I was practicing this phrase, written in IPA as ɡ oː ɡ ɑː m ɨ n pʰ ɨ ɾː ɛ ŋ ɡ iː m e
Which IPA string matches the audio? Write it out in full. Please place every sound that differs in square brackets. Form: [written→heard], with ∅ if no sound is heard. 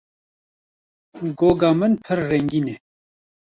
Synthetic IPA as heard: ɡ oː ɡ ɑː m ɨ n pʰ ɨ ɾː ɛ ŋ ɡ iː [m→n] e